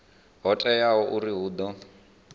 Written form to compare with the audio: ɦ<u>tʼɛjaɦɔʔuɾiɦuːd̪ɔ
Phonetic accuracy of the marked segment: incorrect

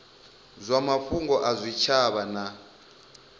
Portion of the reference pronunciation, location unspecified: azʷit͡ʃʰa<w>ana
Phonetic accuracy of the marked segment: incorrect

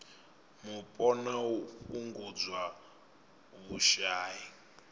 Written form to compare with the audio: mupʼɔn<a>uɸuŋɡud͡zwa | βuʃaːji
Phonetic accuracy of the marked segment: correct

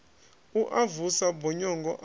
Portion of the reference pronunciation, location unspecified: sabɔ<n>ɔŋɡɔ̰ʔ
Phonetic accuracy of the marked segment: incorrect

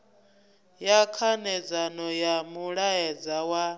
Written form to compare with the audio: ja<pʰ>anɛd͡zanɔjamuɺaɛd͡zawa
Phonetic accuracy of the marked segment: incorrect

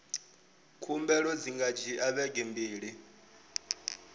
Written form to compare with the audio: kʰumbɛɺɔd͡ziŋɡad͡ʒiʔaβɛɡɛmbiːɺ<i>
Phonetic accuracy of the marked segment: correct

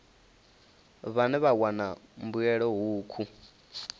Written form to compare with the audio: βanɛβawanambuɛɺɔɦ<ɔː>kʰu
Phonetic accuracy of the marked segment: incorrect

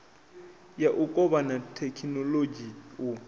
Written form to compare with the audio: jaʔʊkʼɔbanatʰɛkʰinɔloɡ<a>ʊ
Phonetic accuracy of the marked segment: incorrect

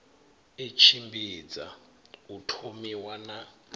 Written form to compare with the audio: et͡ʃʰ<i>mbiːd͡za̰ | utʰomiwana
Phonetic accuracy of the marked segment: correct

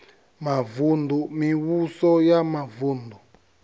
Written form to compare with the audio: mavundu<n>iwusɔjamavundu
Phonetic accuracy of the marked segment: incorrect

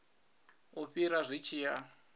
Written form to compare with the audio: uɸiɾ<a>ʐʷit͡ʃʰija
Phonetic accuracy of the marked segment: correct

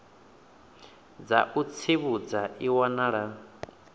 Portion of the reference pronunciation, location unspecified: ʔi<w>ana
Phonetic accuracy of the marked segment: correct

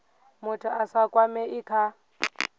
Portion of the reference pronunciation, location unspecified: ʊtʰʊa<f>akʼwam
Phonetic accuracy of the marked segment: incorrect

